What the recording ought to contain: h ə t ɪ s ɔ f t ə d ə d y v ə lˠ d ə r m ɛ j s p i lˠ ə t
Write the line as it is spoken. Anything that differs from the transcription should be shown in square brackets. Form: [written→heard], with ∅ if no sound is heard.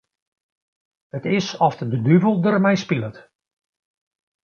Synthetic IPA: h ə t ɪ s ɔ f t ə d ə d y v ə lˠ d ə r m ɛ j s p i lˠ ə t